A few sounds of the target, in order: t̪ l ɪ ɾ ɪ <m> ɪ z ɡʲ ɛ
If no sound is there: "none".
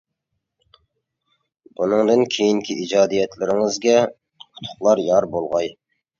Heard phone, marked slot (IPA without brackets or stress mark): ŋ